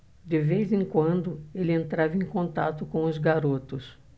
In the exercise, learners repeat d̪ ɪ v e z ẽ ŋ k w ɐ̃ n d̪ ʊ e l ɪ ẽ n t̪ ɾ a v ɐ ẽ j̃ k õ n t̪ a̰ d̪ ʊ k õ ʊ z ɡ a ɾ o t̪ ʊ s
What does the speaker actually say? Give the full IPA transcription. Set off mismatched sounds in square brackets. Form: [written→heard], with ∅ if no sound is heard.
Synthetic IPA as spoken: d̪ ɪ v e z ẽ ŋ k w ɐ̃ n d̪ ʊ e l ɪ ẽ n t̪ ɾ a v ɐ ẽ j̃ k õ n t̪ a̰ [d̪→t̪] ʊ k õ ʊ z ɡ a ɾ o t̪ ʊ s